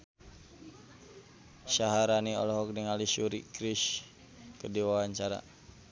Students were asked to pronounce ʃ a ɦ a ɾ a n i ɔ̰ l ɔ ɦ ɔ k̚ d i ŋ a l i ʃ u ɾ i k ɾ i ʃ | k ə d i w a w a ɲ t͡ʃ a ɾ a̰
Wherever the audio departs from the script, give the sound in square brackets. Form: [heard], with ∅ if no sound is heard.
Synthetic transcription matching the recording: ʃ a ɦ a ɾ a n i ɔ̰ l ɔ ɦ ɔ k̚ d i ŋ a l i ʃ u ɾ i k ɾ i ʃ | k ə d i w a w a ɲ t͡ʃ a ɾ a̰

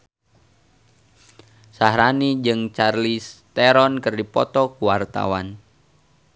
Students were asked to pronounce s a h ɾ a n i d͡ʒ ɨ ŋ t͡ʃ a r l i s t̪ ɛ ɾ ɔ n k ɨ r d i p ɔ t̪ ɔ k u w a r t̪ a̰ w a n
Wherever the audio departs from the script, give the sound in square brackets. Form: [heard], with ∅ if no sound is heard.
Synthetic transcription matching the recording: s a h ɾ a n i d͡ʒ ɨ ŋ t͡ʃ a r l i s t̪ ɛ ɾ ɔ n k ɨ r d i p ɔ t̪ ɔ k u w a r t̪ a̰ w a n

